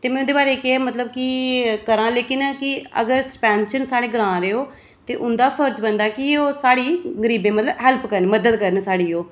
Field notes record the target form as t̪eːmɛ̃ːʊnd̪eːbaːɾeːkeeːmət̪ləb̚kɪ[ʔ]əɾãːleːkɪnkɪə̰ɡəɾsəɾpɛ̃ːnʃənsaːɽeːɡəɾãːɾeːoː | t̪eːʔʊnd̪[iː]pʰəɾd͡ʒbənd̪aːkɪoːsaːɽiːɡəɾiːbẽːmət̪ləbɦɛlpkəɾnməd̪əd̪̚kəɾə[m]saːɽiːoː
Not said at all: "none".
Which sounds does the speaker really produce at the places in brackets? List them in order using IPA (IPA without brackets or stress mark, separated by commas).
k, aː, n